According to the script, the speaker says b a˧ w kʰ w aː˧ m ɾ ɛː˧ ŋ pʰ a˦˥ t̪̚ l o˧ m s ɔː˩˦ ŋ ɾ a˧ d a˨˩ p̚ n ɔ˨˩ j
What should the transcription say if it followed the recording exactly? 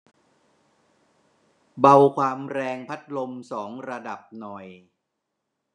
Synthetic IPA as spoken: b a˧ w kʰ w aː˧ m ɾ ɛː˧ ŋ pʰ a˦˥ t̪̚ l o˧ m s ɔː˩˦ ŋ ɾ a˧ d a˨˩ p̚ n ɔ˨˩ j